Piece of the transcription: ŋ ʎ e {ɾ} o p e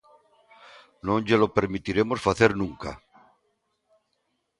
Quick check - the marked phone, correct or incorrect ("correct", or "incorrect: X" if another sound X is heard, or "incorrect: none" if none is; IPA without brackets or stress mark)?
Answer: incorrect: l